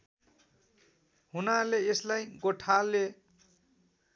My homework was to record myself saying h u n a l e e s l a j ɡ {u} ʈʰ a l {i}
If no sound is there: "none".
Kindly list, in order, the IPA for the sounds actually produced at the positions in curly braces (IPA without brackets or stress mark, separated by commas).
o, e